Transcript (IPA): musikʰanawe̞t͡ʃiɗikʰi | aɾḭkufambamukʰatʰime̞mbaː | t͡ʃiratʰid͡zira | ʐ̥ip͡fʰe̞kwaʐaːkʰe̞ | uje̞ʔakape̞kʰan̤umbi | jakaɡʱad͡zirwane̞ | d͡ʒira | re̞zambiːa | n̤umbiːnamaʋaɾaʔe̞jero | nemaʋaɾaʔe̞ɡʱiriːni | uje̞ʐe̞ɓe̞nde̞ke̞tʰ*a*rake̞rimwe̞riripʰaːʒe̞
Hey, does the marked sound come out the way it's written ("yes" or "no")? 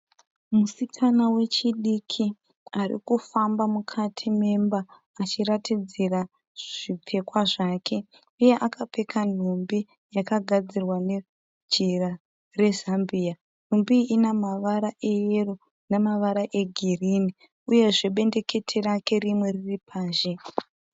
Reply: no